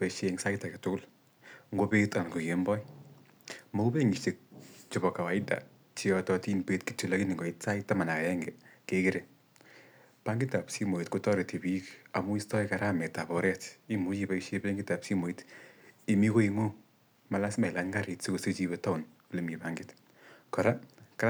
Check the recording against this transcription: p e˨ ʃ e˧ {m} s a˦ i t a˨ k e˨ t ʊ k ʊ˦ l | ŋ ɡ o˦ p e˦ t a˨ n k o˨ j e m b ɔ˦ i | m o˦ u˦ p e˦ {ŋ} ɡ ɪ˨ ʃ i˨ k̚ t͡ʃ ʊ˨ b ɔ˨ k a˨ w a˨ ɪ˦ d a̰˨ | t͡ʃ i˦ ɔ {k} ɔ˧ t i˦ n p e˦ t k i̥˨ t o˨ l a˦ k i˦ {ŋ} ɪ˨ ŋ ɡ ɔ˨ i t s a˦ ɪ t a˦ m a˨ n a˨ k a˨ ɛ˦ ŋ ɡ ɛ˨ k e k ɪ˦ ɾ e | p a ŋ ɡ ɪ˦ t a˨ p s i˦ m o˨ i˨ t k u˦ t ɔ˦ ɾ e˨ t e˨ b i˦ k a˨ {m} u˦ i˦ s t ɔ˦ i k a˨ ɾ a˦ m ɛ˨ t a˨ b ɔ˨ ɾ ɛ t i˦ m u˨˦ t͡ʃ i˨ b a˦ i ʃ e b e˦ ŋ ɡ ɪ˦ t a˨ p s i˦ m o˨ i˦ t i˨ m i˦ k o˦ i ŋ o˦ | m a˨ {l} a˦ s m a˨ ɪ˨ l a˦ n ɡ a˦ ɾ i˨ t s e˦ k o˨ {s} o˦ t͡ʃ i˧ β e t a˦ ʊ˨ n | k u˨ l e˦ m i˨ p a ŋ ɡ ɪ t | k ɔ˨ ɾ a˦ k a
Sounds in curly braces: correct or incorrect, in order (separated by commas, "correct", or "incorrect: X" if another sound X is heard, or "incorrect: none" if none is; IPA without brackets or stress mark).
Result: incorrect: ŋ, correct, incorrect: t, incorrect: n, correct, correct, correct